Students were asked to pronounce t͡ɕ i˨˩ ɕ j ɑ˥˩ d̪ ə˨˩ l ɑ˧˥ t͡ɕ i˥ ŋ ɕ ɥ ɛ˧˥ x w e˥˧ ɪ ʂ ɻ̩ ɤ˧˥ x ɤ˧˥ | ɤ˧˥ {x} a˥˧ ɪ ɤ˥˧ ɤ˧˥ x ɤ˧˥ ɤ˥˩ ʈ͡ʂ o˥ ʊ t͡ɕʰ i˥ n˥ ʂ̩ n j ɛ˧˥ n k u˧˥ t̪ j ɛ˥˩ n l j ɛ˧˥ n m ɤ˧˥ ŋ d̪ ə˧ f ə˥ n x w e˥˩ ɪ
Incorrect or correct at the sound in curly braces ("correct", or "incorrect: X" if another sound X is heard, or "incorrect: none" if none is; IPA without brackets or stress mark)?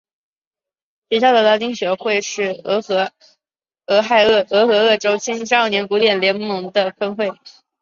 correct